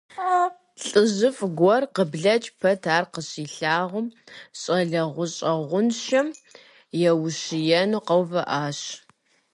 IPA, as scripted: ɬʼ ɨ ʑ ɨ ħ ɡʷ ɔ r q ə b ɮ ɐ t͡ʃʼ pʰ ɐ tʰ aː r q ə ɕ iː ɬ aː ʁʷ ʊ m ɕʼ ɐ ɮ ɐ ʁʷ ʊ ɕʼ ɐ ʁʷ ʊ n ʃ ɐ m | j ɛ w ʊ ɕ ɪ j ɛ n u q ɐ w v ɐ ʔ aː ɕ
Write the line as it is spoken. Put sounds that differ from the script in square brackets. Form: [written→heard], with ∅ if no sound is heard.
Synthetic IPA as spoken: ɬʼ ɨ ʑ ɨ [ħ→f] ɡʷ ɔ r q ə b ɮ ɐ t͡ʃʼ pʰ ɐ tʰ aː r q ə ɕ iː ɬ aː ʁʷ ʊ m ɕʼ ɐ ɮ ɐ ʁʷ ʊ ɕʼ ɐ ʁʷ ʊ n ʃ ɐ m | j ɛ w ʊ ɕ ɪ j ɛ n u q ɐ w v ɐ ʔ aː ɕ